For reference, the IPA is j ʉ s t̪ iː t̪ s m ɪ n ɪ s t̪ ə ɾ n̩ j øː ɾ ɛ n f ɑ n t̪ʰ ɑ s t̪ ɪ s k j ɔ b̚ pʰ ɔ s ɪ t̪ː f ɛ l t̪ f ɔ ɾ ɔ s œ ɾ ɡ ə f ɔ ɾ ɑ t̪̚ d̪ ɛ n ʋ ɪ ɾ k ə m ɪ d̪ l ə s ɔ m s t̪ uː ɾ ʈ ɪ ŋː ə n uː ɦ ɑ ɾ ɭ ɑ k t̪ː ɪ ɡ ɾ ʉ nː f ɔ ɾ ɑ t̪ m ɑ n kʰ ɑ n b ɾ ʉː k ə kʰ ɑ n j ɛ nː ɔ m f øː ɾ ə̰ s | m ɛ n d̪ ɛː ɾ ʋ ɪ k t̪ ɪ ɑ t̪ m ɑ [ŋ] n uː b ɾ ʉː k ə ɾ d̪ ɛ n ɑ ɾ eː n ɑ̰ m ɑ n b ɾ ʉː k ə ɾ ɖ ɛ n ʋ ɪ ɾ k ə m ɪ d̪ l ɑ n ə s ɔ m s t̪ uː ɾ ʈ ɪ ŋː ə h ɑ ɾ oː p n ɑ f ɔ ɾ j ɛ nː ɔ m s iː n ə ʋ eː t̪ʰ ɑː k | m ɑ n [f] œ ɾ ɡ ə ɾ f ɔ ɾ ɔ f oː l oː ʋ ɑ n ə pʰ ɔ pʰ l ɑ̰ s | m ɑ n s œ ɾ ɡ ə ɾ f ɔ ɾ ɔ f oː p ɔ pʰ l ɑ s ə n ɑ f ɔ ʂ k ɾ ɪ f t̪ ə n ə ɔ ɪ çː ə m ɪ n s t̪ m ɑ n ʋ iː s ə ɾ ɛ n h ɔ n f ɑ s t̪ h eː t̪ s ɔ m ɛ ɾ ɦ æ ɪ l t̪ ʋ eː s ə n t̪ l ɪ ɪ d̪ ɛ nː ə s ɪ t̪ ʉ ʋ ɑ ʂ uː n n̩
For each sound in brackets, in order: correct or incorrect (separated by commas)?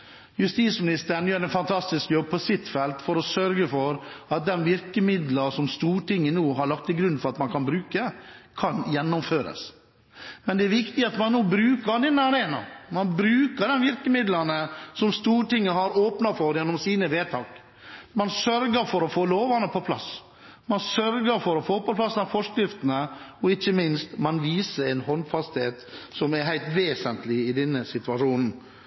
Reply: incorrect, incorrect